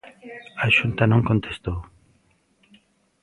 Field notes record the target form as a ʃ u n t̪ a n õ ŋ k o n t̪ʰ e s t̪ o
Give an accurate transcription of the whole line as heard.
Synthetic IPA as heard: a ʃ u n t̪ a n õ ŋ k o n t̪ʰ e s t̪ o

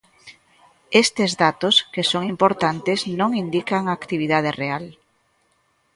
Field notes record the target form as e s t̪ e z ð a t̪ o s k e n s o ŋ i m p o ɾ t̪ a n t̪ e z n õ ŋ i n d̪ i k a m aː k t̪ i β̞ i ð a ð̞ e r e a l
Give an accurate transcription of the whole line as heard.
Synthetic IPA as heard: e s t̪ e z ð a t̪ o s k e s o ŋ i m p o ɾ t̪ a n t̪ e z n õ ŋ i n d̪ i k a ŋ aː k t̪ i β̞ i ð a ð̞ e r e a l

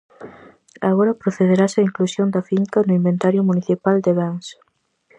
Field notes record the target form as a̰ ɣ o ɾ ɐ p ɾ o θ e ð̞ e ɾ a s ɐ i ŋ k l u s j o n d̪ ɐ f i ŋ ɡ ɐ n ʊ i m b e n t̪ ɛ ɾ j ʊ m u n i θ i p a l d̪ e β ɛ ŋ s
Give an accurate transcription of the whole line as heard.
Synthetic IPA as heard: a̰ ɣ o ɾ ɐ p ɾ o θ e ð̞ e ɾ a s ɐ i ŋ k l u s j o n d̪ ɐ f i ŋ k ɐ n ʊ i m b e n t̪ a ɾ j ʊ m u n i θ i p a l d̪ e β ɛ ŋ s

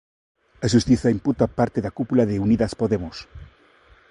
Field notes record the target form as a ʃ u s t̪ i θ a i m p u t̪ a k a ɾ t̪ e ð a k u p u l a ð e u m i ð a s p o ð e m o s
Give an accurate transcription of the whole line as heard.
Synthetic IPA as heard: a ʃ u s t̪ i θ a i m p u t̪ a p a ɾ t̪ e ð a k u p u l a ð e u n i ð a s p o ð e m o s

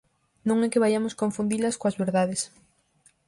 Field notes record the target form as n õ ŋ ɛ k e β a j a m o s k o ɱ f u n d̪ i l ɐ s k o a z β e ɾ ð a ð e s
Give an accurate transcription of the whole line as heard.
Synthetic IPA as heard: n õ ŋ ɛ k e β a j a m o s k o ɱ f u n d̪ i l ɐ s k o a z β e ɾ ð a ð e s

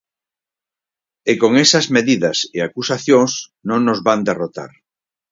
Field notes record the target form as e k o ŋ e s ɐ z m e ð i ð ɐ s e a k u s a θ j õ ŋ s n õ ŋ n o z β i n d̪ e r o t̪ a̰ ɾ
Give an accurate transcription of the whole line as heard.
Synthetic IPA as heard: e k o ŋ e s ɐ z m e ð i ð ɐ s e a k u s a θ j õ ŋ s n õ ŋ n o z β a n d̪ e r o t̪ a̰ ɾ

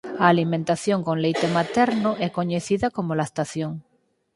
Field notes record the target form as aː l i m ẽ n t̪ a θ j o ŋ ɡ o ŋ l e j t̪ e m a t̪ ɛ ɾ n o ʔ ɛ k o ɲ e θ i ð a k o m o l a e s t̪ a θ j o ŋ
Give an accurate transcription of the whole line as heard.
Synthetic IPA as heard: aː l i m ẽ n t̪ a θ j o ŋ k o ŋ l e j t̪ e m a t̪ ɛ ɾ n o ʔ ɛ k o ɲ e θ i ð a k o m o l a e s t̪ a θ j o ŋ

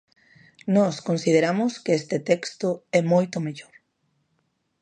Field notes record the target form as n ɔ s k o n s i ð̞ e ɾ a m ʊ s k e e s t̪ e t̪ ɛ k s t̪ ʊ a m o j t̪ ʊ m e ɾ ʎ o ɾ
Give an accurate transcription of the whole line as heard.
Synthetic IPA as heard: n ɔ s k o n s i ð̞ e ɾ a m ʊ s k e e s t̪ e t̪ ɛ k s t̪ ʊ ɛ m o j t̪ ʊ m e ʎ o ɾ

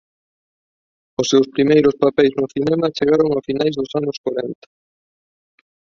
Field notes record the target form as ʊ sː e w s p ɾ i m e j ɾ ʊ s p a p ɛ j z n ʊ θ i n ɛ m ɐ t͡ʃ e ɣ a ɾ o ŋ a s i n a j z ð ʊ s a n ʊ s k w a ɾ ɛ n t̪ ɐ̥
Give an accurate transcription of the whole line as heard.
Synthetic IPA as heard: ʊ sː e w s p ɾ i m e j ɾ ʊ s p a p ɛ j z n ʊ θ i n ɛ m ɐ t͡ʃ e ɣ a ɾ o ŋ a f i n a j z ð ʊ s a n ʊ s k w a ɾ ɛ n t̪ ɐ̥

